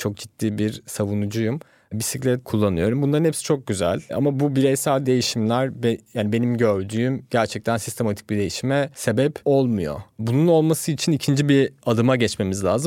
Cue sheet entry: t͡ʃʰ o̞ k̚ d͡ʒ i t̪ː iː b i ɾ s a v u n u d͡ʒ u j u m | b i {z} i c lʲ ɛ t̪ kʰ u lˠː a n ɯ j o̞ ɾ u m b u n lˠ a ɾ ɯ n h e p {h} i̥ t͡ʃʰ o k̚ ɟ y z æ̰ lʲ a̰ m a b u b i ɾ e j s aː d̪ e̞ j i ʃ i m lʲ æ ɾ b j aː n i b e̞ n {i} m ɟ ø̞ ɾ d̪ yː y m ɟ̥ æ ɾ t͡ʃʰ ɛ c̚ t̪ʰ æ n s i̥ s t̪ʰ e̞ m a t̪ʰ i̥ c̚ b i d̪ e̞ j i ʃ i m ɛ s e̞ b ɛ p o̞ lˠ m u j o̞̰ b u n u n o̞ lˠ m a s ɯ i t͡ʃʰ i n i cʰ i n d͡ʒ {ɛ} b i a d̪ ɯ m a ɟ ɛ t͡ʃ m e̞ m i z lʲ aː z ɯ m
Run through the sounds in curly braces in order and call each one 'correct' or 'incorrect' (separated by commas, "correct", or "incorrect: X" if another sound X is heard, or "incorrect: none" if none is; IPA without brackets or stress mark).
incorrect: s, incorrect: s, correct, incorrect: i